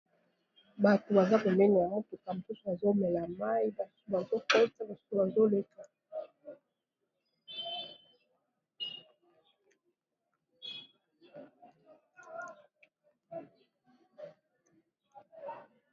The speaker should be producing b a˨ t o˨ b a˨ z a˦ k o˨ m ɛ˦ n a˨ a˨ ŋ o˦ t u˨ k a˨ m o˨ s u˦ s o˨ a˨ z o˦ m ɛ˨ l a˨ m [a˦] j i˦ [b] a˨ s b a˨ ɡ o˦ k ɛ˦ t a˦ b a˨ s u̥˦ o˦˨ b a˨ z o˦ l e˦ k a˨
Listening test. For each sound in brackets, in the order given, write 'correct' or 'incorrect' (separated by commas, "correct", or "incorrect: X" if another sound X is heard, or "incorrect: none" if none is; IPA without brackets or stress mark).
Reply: correct, correct